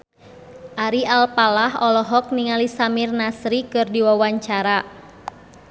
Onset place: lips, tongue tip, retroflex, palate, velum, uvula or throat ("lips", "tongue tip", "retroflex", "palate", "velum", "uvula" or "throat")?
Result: throat